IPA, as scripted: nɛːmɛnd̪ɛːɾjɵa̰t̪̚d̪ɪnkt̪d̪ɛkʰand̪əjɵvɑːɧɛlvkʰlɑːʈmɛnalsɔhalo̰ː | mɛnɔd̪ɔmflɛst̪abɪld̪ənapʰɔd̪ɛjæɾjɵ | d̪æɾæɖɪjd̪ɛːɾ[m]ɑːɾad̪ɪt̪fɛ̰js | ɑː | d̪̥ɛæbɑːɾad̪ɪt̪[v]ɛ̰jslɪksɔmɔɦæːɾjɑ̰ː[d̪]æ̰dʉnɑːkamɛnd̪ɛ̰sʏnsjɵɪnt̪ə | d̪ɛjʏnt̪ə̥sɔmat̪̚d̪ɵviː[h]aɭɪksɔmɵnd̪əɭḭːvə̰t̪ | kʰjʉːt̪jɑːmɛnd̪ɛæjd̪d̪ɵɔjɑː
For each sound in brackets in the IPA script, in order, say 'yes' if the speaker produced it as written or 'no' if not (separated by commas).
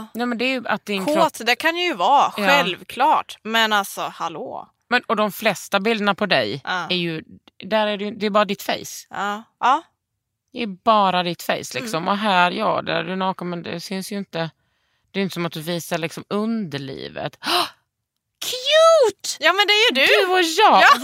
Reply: no, no, yes, no